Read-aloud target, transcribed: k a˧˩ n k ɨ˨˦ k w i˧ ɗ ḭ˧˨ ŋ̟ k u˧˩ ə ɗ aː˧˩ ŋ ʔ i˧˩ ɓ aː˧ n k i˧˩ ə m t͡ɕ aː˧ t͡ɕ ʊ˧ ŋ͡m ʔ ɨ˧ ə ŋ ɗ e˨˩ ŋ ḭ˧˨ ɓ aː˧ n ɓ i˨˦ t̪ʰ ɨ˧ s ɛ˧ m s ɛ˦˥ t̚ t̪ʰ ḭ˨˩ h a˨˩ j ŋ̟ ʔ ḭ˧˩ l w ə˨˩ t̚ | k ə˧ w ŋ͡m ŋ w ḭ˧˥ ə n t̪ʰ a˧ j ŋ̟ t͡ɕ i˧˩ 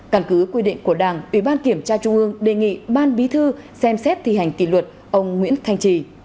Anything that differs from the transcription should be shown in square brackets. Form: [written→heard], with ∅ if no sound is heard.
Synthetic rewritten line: k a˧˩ n k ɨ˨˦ k w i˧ ɗ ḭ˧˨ ŋ̟ k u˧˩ ə ɗ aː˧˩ ŋ ʔ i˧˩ ɓ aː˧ n k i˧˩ ə m t͡ɕ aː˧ t͡ɕ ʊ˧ ŋ͡m ʔ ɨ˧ ə ŋ ɗ e˨˩ ŋ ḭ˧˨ ɓ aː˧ n ɓ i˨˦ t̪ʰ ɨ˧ s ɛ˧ m s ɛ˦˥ t̚ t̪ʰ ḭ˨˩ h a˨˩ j ŋ̟ [ʔ→k] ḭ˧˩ l w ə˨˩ t̚ | [k→ʔ] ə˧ w ŋ͡m ŋ w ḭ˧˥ ə n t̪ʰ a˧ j ŋ̟ t͡ɕ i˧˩